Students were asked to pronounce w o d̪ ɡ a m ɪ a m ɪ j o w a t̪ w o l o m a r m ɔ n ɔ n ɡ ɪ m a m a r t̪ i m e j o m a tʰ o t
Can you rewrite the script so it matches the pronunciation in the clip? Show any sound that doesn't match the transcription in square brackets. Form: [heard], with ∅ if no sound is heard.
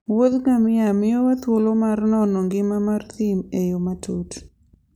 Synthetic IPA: w o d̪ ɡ a m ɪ a m ɪ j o w a t̪ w o l o m a r [n] ɔ n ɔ [ŋ] ɡ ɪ m a m a r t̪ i m e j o m a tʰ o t